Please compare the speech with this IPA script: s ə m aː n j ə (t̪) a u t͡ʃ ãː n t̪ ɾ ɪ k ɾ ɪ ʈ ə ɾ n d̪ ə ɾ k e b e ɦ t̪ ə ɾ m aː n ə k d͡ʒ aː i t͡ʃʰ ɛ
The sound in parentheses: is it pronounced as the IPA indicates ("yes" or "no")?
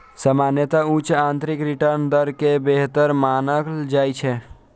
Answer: yes